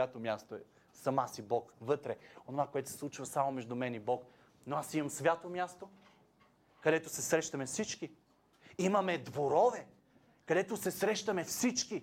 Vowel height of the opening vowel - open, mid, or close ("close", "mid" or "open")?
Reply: open